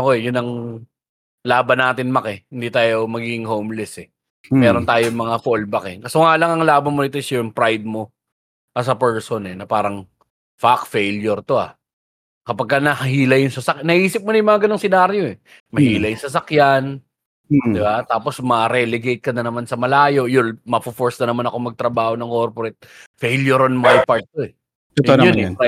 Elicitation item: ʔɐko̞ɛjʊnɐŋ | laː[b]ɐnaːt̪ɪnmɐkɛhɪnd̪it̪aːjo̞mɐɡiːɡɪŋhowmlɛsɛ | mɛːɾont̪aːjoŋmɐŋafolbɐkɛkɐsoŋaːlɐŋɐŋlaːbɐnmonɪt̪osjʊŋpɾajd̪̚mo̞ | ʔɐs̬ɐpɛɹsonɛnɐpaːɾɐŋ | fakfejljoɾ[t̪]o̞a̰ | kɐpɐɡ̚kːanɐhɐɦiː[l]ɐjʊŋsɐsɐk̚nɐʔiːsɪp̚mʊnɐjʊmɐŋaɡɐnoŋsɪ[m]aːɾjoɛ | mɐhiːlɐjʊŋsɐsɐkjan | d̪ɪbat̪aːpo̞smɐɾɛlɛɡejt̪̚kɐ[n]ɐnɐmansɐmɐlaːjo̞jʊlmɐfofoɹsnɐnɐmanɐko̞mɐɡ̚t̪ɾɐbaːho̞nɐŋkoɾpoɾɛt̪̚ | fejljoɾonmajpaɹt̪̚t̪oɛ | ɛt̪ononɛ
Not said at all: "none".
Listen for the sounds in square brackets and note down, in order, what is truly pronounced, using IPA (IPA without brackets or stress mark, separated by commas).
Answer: b, t̪, l, n, n